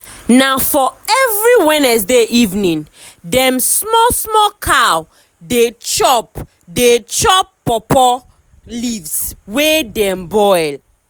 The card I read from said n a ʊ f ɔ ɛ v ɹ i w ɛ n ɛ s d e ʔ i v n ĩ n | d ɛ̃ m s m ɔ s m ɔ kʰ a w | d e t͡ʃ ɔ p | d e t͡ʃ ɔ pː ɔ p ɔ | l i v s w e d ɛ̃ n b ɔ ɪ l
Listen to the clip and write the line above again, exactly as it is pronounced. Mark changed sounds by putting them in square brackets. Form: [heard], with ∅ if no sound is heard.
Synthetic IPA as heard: n a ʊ f ɔ ɛ v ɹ i w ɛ n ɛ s d e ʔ i v n ĩ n | d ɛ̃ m s m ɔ s m ɔ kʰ a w | d e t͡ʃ ɔ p | d e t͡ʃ ɔ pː ɔ p ɔ | l i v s w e d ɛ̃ [m] b ɔ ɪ l